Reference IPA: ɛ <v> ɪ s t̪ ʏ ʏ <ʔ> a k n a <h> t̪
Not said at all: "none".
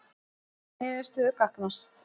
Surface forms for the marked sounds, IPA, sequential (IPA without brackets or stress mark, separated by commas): ð, k, s